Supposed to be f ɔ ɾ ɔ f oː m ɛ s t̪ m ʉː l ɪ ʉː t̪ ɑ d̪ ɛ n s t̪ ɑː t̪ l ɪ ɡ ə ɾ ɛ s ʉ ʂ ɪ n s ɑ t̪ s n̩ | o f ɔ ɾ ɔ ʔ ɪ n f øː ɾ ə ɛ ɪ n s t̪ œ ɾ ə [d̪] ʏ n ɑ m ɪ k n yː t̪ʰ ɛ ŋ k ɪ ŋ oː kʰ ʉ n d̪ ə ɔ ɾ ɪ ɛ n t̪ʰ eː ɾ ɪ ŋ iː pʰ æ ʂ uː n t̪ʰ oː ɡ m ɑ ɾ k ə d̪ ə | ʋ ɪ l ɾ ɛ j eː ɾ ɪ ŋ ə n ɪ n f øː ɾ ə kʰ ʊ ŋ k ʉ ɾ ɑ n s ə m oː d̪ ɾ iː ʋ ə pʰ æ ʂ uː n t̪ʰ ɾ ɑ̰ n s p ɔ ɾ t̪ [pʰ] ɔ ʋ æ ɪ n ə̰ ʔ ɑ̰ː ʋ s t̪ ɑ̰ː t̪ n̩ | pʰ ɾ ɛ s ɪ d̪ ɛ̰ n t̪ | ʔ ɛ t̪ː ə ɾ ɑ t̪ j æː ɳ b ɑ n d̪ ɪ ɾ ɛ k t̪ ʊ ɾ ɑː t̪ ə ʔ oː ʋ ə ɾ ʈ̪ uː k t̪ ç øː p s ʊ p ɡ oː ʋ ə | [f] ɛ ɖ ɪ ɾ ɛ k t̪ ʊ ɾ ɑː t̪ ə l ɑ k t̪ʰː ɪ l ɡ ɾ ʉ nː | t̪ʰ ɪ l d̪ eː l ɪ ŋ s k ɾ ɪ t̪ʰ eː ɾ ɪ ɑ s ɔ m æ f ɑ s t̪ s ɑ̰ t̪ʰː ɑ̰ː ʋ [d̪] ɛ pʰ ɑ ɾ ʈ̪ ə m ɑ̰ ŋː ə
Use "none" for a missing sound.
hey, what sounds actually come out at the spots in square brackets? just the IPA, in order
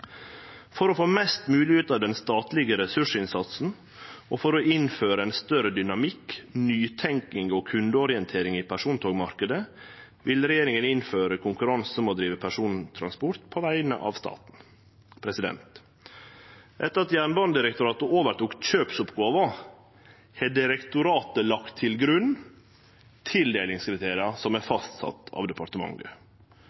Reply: d̪, pʰ, h, d̪

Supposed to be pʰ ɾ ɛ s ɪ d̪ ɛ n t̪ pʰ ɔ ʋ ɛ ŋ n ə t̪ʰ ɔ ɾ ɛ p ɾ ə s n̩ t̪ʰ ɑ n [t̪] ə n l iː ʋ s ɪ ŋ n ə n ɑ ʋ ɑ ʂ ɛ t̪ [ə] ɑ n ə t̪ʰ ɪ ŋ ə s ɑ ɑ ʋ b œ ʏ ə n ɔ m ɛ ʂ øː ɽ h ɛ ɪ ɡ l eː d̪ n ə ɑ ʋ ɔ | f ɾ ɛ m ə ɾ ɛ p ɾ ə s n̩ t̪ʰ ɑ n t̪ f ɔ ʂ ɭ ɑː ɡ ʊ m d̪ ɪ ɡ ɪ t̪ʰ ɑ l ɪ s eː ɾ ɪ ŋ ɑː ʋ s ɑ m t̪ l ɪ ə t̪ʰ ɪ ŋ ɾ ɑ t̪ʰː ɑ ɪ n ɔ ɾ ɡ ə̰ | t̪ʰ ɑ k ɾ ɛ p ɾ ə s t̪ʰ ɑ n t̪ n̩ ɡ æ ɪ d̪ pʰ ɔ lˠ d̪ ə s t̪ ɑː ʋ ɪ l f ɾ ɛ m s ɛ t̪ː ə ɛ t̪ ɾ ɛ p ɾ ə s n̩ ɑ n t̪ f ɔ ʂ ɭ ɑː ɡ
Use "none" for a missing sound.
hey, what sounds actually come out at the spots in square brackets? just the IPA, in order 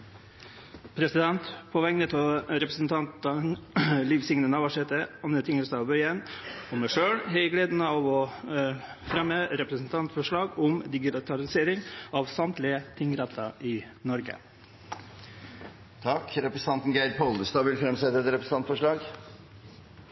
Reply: t̪, ə

